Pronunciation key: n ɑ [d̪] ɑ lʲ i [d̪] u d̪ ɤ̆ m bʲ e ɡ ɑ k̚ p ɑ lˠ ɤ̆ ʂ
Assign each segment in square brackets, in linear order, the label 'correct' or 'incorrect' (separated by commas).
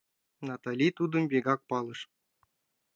incorrect, incorrect